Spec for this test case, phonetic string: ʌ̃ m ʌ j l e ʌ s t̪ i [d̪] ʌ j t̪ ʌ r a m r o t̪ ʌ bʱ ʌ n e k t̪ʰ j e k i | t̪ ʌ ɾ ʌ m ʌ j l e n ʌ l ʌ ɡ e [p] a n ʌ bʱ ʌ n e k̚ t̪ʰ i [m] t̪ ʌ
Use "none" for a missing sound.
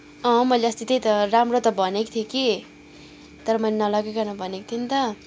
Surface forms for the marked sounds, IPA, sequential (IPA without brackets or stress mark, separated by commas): t̪, k, n